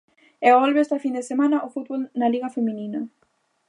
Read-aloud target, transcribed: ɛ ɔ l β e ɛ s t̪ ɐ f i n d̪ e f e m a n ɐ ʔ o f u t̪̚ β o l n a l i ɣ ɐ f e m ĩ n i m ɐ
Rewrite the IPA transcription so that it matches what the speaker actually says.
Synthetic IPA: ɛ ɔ l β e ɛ s t̪ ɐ f i n d̪ e s e m a n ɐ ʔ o f u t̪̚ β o l n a l i ɣ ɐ f e m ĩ n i n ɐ